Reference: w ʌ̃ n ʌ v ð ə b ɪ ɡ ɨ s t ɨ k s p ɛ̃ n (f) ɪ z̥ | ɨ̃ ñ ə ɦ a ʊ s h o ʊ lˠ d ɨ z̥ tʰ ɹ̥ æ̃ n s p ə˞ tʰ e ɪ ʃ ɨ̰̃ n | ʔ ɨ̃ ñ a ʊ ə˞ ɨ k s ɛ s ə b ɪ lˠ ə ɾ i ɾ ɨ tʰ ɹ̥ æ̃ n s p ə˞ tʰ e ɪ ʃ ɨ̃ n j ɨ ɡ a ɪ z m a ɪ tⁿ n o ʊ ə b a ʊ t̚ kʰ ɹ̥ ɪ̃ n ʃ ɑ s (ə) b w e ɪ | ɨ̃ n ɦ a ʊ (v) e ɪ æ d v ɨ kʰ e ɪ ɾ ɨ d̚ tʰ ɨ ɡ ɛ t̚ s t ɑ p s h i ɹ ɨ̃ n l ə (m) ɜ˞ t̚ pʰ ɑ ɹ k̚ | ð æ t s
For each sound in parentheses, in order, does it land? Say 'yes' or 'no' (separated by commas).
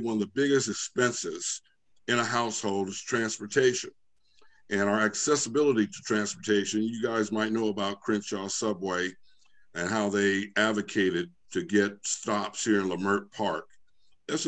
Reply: no, no, no, yes